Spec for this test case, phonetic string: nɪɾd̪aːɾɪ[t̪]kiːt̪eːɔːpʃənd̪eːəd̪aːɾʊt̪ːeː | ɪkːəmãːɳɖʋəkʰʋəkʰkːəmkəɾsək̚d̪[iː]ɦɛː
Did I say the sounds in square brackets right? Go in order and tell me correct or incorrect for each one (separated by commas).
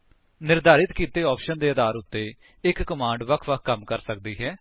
correct, correct